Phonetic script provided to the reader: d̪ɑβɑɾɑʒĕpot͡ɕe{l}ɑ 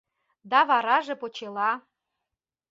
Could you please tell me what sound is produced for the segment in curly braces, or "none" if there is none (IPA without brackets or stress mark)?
l